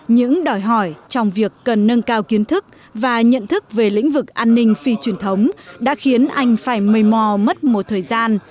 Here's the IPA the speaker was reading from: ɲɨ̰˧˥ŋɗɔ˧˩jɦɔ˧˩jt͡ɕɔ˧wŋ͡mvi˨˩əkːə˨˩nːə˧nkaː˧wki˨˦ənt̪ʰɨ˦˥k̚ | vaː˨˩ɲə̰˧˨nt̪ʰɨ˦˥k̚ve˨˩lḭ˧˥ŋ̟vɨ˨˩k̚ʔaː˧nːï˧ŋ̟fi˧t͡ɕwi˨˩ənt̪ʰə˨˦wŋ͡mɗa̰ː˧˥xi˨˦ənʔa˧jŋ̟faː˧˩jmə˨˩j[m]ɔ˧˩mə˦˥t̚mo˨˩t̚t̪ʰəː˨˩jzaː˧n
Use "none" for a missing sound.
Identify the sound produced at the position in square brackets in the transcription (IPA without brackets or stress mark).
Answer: m